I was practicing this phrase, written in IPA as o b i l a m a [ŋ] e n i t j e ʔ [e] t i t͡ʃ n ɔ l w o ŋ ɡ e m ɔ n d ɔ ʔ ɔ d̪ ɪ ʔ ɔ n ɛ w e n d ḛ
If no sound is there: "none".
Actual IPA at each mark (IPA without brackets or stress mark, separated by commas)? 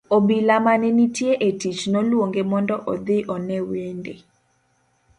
n, e